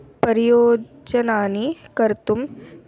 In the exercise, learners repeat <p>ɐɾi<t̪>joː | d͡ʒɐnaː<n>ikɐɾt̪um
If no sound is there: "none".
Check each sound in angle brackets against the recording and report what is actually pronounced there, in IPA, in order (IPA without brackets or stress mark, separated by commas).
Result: p, none, n